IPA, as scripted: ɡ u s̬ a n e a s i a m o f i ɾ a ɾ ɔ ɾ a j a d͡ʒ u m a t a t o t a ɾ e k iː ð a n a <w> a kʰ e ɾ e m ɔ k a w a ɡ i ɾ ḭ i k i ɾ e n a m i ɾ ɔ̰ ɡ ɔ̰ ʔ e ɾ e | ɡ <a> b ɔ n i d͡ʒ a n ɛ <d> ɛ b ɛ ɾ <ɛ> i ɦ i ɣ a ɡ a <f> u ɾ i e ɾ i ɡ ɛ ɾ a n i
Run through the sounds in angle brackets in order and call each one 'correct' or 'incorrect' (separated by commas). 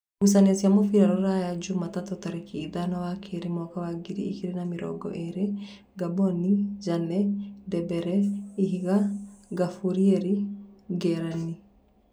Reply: correct, correct, correct, correct, correct